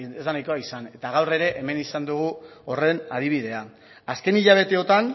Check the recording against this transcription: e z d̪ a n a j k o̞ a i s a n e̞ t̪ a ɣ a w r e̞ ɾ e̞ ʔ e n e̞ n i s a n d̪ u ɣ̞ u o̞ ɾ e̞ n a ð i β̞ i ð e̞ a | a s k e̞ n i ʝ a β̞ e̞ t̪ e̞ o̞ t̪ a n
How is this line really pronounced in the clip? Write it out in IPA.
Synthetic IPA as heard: e z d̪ a n a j k o̞ a i s a n e̞ t̪ a ɣ a w r e̞ ɾ e̞ ʔ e m e̞ n i s a n d̪ u ɣ̞ u o̞ r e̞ n a ð i β̞ i ð e̞ a | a s k e̞ n i ʎ a β̞ e̞ t̪ e̞ o̞ t̪ a n